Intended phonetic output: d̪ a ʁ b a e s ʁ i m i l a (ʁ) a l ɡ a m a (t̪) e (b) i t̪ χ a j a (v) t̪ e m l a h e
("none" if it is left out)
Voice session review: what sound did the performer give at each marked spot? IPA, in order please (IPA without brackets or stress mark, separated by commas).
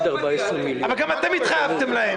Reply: v, t̪, m, v